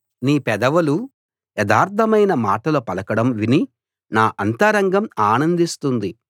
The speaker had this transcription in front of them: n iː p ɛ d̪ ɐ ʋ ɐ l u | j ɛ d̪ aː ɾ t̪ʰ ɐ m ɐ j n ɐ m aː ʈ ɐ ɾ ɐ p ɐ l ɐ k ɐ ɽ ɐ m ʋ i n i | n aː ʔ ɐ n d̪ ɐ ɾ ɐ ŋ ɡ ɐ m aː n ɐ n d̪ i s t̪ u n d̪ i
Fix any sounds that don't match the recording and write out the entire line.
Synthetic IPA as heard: n iː p ɛ d̪ ɐ ʋ ɐ l u | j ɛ d̪ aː ɾ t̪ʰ ɐ m ɐ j n ɐ m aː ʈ ɐ l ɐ p ɐ l ɐ k ɐ ɽ ɐ m ʋ i n i | n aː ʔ ɐ n t̪ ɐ ɾ ɐ ŋ ɡ ɐ m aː n ɐ n d̪ i s t̪ u n d̪ i